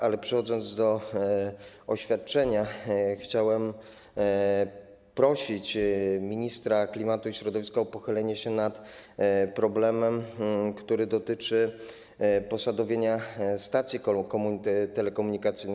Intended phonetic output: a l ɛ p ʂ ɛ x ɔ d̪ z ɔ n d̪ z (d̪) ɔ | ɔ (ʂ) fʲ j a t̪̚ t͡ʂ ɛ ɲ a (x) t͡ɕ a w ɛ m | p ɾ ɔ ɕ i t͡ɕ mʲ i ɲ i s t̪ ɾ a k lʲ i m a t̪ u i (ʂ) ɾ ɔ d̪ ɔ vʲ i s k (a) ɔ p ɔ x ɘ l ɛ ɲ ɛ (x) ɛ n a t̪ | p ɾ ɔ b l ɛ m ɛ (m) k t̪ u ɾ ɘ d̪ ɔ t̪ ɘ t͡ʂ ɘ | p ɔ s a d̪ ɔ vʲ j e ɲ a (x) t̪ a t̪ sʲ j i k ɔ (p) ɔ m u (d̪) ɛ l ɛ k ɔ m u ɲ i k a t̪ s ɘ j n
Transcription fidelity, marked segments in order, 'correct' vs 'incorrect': correct, incorrect, correct, incorrect, correct, incorrect, correct, incorrect, incorrect, incorrect

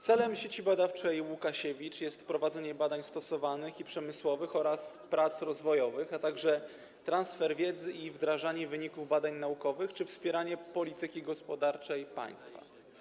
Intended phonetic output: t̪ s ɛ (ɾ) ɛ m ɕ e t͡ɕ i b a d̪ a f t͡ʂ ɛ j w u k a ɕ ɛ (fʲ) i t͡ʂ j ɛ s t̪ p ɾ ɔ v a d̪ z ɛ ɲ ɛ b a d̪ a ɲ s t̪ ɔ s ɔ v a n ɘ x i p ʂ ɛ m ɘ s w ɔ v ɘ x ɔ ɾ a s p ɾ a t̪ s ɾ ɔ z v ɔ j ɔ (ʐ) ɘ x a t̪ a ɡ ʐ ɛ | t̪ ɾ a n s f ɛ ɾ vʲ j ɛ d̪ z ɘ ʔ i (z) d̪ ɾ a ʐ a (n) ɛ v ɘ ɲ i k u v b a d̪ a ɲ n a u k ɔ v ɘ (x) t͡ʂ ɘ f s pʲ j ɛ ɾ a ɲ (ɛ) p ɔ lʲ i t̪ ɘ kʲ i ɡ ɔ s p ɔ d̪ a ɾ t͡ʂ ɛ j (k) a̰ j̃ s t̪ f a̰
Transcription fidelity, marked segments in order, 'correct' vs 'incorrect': incorrect, incorrect, incorrect, incorrect, incorrect, correct, correct, incorrect

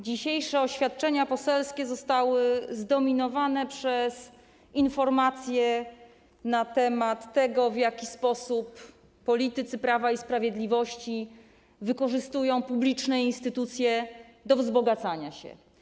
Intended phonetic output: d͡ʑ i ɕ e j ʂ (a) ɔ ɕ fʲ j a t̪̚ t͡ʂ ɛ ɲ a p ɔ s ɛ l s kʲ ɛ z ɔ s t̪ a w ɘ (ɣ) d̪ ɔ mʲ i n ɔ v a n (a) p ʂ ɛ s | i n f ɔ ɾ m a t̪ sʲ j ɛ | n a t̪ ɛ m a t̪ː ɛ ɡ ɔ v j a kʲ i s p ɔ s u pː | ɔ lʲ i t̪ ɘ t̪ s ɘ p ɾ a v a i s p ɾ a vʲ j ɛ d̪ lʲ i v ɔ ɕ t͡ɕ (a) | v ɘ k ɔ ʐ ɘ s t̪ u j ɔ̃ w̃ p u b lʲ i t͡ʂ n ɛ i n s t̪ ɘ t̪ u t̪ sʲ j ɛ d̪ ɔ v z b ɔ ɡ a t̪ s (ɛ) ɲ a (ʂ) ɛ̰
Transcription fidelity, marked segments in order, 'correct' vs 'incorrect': incorrect, incorrect, incorrect, incorrect, incorrect, incorrect

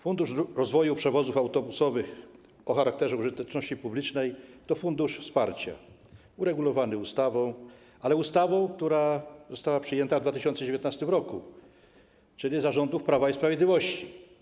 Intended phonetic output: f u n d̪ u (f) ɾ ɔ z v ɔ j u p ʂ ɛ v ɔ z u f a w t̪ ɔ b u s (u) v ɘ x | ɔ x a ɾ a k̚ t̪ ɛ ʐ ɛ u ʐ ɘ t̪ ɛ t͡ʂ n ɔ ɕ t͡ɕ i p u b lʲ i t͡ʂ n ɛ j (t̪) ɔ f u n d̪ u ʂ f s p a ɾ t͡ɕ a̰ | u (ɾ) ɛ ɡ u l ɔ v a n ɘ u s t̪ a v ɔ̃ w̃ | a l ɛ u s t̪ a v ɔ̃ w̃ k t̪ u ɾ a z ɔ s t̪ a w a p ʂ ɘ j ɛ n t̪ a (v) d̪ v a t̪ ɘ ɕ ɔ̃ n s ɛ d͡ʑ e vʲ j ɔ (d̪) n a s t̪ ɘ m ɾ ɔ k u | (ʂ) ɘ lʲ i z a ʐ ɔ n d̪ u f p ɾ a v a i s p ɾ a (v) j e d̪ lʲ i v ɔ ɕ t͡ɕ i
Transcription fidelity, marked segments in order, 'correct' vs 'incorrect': incorrect, incorrect, correct, correct, correct, incorrect, incorrect, correct

